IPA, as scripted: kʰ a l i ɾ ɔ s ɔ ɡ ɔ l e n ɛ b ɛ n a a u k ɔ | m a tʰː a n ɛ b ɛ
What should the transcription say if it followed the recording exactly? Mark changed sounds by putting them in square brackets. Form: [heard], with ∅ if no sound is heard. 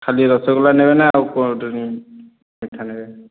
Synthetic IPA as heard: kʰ a l i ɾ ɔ s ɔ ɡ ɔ l [a] n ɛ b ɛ n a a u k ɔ | m [i] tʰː a n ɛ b ɛ